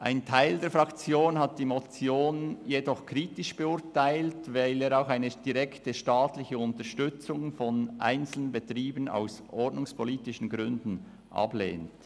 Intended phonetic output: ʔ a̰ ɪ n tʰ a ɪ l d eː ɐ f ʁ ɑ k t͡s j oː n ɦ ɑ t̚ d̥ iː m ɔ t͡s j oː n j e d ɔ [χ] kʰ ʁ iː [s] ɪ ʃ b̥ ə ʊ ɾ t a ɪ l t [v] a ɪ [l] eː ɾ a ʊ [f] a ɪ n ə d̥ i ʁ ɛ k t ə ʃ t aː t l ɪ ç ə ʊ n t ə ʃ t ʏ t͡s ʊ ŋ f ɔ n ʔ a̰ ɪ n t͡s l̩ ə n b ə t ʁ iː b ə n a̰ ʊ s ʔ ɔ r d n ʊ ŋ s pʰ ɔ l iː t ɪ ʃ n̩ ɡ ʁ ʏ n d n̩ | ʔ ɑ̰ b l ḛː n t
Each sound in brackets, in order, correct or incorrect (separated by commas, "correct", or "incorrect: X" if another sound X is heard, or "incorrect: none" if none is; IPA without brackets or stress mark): correct, incorrect: t, correct, correct, incorrect: x